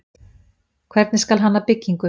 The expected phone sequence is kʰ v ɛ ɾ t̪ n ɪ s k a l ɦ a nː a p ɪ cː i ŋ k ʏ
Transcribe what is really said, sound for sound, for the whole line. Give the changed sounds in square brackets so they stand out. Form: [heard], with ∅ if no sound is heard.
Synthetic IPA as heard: kʰ v ɛ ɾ t̪ n ɪ s k a l ɦ a nː a p ɪ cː i ŋ k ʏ

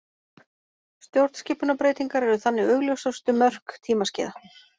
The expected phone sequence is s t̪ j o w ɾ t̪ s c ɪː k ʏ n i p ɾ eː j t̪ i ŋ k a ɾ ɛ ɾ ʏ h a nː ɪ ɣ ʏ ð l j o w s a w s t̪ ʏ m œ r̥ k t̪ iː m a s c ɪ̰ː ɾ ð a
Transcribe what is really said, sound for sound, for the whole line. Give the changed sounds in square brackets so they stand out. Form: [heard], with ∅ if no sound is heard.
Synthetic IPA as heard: s t̪ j o w ɾ t̪ s c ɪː [p] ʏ n [a] p ɾ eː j t̪ i ŋ k a ɾ ɛ ɾ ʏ [θ] a nː ɪ ɣ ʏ [ɣ] l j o w s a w s t̪ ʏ m œ r̥ k [t̪ʰ] iː m a s c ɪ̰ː [∅] ð a

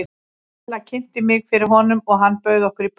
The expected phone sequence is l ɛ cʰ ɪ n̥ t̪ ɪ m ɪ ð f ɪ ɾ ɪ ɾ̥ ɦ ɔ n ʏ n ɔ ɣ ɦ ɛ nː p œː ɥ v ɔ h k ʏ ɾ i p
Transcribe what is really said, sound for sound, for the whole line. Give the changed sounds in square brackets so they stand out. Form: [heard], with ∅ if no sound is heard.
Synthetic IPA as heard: l [a] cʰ ɪ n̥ t̪ ɪ m ɪ [ɣ] f ɪ ɾ ɪ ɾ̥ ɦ ɔ n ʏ [m] ɔ ɣ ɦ [a] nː p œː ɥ [ð] ɔ h k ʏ ɾ i p

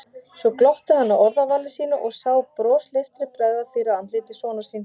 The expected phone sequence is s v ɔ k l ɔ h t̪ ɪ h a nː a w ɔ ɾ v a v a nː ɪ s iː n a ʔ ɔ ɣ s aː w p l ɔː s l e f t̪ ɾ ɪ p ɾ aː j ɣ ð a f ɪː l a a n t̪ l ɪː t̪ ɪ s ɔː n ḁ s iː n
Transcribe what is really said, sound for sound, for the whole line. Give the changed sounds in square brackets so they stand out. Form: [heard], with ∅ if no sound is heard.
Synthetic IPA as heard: s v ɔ k l ɔ h t̪ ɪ h a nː a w ɔ ɾ [ð] a v a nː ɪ s iː n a ʔ ɔ ɣ s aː w p [ɾ] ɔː s l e f t̪ ɾ ɪ p ɾ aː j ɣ ð a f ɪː [ɾ] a a n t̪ l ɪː t̪ ɪ s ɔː n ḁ s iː n

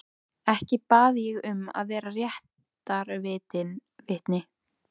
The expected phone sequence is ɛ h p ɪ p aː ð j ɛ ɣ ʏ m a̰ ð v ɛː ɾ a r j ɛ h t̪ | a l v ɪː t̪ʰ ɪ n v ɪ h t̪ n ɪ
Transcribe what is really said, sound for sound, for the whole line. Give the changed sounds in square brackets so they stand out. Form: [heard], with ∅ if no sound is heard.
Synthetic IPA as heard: ɛ h [c] ɪ p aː ð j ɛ ɣ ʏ m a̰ ð v ɛː ɾ a r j ɛ h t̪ | a [ɾ] v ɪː [t̪] ɪ n v ɪ h t̪ n ɪ

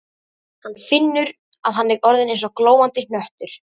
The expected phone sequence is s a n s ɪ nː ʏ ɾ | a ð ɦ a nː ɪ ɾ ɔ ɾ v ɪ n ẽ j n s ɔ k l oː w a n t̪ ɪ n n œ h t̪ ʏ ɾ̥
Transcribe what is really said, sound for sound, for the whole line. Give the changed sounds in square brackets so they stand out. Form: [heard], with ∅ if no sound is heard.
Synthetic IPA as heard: [h] a n [f] ɪ nː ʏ ɾ | a ð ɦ a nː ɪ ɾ ɔ ɾ [ð] ɪ n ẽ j n s ɔ k l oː w a n t̪ ɪ n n œ h t̪ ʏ ɾ̥

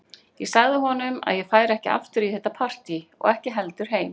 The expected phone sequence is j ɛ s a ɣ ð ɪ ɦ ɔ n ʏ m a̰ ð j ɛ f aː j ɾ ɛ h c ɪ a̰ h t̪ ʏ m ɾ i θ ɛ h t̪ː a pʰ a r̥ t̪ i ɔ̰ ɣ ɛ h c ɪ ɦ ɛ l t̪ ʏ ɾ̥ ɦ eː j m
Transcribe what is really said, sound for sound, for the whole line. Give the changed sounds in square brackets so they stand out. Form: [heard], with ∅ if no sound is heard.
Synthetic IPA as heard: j ɛ s a ɣ ð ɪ ɦ ɔ n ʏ m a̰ ð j ɛ f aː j ɾ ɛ h c ɪ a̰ [f] t̪ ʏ [∅] ɾ i θ ɛ h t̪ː a pʰ a r̥ t̪ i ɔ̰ ɣ ɛ h c ɪ ɦ ɛ l t̪ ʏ ɾ̥ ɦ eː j m

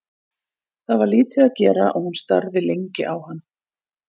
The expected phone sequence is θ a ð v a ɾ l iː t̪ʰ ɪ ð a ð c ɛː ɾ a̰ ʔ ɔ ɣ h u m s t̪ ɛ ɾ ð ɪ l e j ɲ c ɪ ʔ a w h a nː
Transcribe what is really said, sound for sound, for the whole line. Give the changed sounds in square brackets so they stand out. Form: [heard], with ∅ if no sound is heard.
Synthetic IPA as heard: θ a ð v a ɾ l iː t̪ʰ ɪ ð a ð c ɛː ɾ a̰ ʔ ɔ ɣ h u [n] s t̪ [a] ɾ ð ɪ l e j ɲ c ɪ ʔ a w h a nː

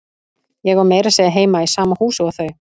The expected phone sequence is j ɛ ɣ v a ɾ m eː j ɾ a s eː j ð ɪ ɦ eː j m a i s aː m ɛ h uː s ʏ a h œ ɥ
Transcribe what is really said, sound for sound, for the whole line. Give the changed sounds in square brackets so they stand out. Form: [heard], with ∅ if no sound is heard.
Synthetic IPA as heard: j ɛ ɣ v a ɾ m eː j ɾ a s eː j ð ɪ ɦ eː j m a i s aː m [a] h uː s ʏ a [θ] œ ɥ

